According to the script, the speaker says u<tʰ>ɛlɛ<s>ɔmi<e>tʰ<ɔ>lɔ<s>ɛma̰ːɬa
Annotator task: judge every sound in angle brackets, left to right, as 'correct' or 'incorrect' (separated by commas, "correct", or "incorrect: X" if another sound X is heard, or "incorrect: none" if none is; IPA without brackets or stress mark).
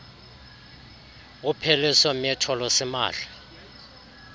incorrect: pʰ, correct, incorrect: ɛ, correct, correct